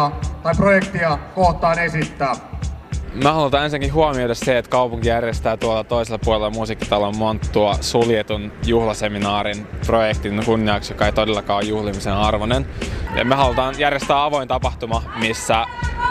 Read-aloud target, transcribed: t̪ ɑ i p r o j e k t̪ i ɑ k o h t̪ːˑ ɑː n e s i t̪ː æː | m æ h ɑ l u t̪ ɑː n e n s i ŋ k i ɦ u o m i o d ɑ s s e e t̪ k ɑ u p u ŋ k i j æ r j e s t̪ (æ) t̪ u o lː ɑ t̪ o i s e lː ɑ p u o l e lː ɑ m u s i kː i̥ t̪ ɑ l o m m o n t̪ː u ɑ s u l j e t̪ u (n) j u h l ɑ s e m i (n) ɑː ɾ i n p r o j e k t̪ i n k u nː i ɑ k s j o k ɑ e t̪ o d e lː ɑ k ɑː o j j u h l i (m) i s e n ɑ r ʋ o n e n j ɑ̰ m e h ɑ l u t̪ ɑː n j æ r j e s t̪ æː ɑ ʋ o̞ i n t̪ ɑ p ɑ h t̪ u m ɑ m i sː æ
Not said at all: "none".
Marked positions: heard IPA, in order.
æː, n, n, m

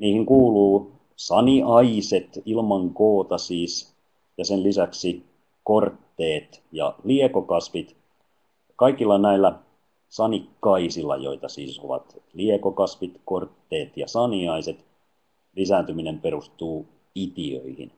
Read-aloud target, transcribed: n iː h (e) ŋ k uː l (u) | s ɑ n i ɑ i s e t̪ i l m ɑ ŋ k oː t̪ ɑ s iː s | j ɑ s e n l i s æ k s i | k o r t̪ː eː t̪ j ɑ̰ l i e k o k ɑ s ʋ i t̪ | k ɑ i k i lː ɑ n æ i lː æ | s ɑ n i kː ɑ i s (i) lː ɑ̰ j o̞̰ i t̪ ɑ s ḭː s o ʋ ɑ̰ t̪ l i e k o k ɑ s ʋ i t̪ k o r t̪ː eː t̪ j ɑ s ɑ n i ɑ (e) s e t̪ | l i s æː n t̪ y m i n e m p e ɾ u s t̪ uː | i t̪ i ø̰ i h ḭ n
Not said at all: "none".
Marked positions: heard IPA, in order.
i, uː, i, i

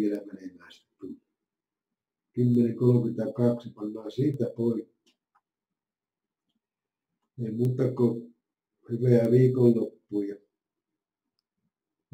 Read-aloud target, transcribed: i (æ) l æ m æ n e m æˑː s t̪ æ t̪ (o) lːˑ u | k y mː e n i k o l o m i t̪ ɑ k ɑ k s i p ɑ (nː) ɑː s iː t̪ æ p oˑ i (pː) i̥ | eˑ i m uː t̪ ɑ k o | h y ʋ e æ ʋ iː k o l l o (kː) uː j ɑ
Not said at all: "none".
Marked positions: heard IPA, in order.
e, u, nː, kː, pː

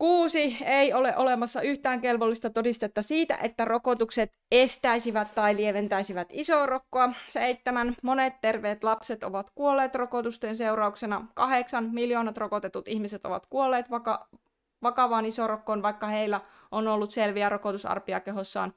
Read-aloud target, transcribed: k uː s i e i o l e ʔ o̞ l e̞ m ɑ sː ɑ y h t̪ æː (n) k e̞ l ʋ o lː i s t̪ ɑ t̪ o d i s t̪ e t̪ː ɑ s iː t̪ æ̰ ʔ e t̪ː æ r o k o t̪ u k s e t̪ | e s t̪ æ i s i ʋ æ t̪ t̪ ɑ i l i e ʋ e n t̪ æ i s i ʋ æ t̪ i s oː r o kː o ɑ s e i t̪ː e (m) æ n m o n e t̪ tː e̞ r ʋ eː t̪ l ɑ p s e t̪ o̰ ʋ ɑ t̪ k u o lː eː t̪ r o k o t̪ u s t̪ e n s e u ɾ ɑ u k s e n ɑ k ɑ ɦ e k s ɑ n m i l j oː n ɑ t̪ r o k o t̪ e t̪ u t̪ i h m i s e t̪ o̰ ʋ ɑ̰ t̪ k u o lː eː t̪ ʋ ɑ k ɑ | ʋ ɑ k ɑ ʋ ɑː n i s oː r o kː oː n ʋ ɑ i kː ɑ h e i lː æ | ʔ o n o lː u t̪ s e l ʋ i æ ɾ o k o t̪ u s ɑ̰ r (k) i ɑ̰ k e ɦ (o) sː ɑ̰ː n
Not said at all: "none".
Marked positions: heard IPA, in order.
ŋ, m, p, o

